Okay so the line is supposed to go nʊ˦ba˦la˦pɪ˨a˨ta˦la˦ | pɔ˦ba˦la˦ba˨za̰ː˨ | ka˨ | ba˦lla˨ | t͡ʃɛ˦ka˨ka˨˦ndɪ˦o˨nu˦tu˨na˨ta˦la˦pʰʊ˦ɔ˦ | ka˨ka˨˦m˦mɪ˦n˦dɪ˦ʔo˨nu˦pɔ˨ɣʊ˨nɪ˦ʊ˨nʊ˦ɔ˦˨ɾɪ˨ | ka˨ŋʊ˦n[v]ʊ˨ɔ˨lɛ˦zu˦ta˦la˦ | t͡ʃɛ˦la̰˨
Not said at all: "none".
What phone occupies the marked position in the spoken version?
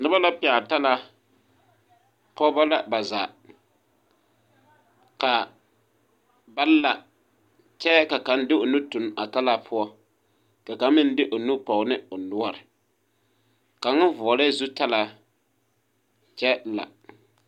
v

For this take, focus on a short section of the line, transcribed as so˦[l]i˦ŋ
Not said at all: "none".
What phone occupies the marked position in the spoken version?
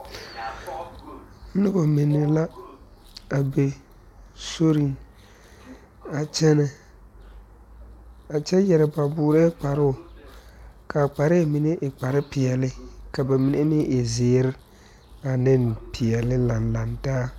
ɾ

